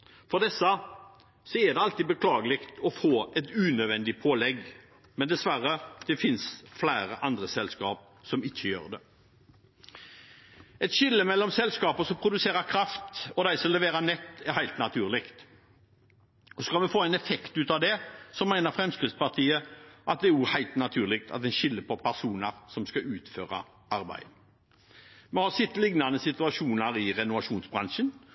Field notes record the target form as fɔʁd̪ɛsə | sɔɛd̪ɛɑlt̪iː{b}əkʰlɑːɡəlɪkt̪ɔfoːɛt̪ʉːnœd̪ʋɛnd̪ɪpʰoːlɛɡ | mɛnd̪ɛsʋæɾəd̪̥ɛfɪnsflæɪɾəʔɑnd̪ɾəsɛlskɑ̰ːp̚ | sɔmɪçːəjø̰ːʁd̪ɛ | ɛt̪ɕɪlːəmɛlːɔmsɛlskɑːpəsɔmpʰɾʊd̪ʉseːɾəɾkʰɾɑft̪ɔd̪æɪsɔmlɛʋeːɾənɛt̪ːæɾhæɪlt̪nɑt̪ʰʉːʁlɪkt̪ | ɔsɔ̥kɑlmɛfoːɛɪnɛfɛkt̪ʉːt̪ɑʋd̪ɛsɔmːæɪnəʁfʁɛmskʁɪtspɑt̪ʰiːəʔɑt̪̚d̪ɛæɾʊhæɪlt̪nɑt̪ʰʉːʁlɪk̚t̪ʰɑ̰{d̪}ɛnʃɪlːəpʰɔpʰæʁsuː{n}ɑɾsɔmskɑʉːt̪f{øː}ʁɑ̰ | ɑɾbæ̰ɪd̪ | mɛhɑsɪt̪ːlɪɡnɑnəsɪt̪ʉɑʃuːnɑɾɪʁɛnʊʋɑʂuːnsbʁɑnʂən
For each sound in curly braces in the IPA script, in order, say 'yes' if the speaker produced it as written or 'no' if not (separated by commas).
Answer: yes, no, yes, yes